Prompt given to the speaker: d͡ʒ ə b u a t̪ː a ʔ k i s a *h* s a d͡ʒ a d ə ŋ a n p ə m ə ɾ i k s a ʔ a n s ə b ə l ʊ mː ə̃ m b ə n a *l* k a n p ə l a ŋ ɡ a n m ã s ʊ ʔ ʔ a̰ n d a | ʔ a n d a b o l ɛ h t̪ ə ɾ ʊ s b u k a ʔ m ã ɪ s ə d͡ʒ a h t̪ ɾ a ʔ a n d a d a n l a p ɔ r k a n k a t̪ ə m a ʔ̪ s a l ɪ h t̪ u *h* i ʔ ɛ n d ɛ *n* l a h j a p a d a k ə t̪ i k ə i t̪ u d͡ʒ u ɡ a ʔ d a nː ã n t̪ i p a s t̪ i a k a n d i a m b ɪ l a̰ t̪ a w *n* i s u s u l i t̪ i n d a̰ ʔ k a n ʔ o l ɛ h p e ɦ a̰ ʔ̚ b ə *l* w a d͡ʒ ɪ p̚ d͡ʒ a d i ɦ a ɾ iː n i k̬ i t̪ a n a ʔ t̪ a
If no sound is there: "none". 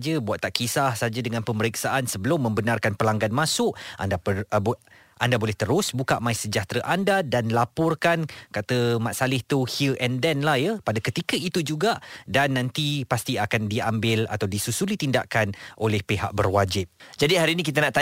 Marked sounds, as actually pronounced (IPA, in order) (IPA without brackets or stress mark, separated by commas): h, r, h, n, d, r